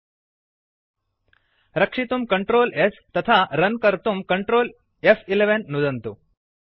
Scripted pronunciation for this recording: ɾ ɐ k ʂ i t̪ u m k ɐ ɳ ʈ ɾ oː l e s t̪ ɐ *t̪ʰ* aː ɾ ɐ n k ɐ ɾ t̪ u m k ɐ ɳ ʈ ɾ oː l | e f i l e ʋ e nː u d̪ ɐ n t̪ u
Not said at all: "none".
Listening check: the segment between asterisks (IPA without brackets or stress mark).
t̪ʰ